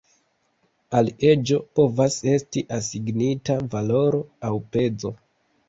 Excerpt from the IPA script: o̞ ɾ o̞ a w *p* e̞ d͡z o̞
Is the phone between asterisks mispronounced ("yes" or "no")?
no